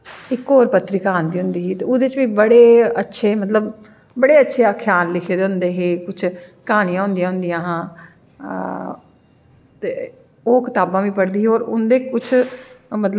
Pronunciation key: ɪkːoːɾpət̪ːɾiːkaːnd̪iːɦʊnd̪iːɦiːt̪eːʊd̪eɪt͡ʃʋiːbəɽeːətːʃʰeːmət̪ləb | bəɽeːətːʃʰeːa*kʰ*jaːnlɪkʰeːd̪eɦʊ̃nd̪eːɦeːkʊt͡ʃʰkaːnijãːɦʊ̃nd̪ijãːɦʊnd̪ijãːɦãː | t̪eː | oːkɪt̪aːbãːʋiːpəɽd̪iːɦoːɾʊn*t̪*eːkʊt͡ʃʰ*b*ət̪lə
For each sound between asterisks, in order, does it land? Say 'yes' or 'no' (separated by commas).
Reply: yes, no, no